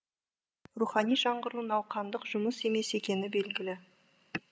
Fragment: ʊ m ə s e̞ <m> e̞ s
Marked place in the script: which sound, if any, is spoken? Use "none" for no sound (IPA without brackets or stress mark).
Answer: m